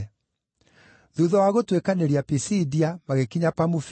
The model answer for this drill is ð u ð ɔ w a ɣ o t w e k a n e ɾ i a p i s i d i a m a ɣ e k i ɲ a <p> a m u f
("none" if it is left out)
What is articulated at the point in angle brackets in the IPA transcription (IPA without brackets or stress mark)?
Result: p